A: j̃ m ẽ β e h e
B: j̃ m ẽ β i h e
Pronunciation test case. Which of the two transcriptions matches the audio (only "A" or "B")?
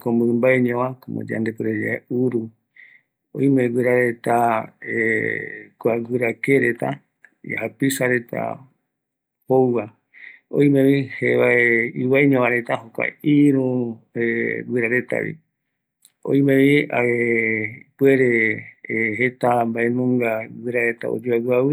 B